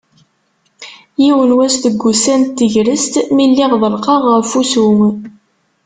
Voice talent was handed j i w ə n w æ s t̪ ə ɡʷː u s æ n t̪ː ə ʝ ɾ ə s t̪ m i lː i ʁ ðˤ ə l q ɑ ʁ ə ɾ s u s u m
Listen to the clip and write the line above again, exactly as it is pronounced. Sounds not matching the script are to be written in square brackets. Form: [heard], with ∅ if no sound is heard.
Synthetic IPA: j i w ə n w æ s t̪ ə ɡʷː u s æ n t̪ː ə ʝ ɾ ə s t̪ m i lː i ʁ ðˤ ə l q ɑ ʁ ə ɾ [f] u s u m

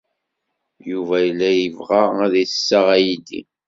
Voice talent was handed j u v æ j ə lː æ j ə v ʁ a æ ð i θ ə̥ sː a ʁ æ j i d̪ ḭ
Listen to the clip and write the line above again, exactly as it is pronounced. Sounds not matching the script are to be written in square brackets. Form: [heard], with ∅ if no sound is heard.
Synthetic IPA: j u v æ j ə lː æ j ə v ʁ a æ ð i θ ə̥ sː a ʁ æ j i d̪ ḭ

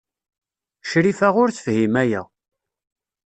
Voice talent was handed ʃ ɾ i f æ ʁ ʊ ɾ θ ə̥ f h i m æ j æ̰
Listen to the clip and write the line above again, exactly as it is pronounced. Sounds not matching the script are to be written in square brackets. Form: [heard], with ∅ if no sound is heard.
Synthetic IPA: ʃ ɾ i f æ ʁ ʊ ɾ θ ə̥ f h i m æ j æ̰

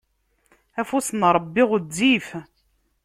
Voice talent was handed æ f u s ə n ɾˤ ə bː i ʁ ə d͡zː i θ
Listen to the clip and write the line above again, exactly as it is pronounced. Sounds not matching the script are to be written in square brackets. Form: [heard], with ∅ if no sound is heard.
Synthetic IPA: æ f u s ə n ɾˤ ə bː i ʁ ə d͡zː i [f]

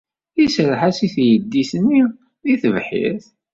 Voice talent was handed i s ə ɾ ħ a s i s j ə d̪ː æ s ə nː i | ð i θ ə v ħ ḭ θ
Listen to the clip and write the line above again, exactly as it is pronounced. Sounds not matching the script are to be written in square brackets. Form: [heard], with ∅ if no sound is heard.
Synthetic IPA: i s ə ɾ ħ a s i [θ] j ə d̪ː [i] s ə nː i | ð i θ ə v ħ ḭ θ

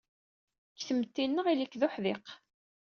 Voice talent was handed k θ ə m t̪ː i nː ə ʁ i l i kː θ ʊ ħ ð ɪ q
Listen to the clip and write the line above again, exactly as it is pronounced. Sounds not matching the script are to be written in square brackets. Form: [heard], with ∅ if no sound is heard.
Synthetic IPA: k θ ə m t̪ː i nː ə ʁ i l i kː [ð] ʊ ħ ð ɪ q

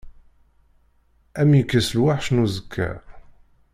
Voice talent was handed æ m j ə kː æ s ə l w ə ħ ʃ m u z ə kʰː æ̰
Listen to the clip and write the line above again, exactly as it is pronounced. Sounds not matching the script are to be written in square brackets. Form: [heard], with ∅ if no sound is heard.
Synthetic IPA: æ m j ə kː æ s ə l w [a] ħ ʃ [n] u z ə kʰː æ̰

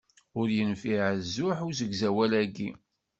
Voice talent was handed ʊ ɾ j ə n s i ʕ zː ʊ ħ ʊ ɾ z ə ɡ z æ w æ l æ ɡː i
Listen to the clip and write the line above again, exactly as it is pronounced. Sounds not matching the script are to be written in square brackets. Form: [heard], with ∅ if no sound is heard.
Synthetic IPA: ʊ ɾ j ə n [f] i ʕ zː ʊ ħ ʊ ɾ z ə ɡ z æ w æ l æ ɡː i

